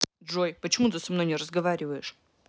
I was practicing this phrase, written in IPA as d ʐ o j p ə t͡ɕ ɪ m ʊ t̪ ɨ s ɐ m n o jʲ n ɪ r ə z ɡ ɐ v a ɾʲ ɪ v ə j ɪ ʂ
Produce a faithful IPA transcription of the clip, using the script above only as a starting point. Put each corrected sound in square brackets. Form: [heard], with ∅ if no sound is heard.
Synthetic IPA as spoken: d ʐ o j p ə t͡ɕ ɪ m [u] t̪ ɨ s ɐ m n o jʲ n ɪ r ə z ɡ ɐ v a ɾʲ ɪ v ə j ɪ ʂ